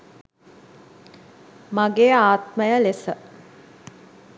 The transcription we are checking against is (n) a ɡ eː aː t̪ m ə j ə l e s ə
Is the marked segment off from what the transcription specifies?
yes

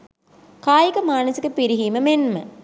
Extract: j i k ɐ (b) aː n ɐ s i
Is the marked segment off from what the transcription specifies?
yes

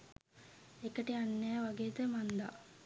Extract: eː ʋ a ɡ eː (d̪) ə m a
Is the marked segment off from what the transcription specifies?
yes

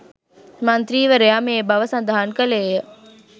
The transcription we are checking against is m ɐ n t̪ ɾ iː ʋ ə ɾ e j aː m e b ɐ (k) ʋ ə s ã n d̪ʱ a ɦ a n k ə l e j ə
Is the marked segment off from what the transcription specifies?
yes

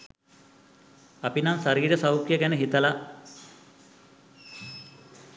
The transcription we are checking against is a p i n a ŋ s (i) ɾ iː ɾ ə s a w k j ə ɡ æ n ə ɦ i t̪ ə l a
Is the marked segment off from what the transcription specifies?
yes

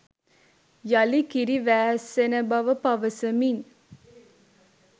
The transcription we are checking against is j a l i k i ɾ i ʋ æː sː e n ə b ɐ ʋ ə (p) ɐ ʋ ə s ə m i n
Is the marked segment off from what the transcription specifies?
no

